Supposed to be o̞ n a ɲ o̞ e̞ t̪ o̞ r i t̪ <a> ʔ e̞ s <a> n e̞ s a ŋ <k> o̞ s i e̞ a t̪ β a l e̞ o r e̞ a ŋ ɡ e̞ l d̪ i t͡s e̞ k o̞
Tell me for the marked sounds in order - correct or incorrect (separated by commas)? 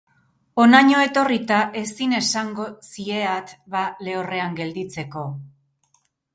correct, incorrect, incorrect